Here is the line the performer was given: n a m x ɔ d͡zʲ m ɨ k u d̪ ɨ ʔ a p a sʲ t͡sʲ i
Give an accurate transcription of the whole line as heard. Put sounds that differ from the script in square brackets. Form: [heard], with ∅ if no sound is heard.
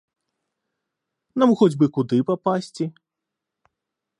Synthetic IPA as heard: n a m x ɔ d͡zʲ [b] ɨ k u d̪ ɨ [p] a p a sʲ t͡sʲ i